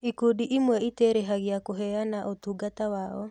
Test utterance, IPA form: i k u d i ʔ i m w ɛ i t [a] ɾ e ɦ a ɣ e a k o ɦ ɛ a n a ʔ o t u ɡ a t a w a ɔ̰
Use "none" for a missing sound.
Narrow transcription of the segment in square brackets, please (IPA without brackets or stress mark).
e